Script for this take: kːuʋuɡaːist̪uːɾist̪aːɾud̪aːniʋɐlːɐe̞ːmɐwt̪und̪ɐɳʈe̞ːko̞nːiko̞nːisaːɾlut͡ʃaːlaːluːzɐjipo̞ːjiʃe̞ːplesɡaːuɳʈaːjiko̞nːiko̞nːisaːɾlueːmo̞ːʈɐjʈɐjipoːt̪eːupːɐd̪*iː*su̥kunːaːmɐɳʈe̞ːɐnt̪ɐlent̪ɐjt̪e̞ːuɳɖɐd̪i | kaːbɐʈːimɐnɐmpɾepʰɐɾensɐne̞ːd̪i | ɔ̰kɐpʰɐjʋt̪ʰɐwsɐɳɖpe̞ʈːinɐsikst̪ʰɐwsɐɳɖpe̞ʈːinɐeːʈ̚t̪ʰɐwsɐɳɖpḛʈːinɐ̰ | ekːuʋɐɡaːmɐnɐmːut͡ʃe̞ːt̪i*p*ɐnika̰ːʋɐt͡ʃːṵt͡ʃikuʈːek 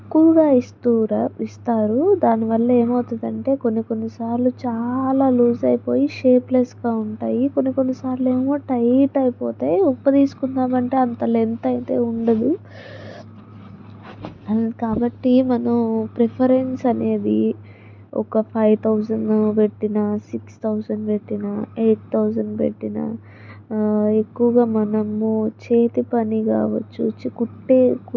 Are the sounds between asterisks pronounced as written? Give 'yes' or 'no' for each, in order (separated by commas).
yes, yes